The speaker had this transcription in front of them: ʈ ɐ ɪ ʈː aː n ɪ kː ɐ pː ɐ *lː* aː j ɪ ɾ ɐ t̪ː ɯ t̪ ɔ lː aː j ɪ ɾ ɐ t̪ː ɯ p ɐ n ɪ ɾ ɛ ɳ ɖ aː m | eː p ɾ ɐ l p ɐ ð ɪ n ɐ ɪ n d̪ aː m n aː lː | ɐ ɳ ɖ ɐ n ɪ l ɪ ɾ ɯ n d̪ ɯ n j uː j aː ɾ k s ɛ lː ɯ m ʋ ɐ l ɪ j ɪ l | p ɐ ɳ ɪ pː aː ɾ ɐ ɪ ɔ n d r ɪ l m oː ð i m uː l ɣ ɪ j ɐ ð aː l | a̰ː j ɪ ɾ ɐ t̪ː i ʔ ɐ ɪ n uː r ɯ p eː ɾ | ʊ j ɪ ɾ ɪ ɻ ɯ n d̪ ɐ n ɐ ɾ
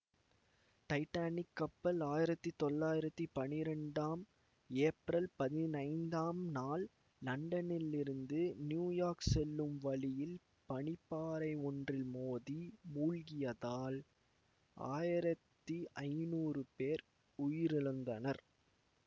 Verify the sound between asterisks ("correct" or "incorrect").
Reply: incorrect